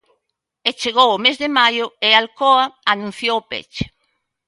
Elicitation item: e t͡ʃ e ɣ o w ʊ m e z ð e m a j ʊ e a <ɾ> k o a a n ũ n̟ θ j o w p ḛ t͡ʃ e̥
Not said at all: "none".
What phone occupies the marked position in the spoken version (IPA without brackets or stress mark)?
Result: l